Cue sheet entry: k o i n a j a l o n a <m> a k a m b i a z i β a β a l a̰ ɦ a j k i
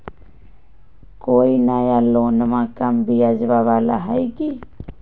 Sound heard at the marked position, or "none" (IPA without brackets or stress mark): m